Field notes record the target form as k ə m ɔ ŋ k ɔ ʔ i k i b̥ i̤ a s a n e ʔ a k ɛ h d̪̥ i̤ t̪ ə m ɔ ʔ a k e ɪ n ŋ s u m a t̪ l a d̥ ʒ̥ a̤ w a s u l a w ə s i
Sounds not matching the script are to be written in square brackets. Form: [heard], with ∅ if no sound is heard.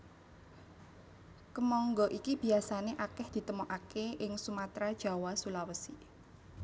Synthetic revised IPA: k ə m ɔ ŋ [ɡ] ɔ ʔ i k i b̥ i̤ a s a n e ʔ a k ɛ h d̪̥ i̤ t̪ ə m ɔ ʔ a k e ɪ [∅] ŋ s u m a t̪ [ɾ] a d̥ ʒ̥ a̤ w a s u l a w ə s i